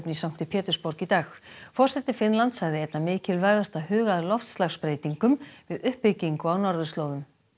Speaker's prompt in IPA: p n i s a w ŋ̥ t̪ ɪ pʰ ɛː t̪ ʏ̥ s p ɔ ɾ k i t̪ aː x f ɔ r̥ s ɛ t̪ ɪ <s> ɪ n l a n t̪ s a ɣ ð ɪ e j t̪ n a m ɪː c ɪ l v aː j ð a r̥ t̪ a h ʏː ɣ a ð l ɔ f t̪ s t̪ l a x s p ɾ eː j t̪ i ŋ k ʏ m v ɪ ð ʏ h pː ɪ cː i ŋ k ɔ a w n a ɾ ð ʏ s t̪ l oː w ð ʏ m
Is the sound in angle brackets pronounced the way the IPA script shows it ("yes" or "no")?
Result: no